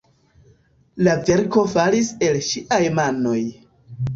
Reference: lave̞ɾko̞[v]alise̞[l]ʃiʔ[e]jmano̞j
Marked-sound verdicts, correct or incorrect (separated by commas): incorrect, correct, incorrect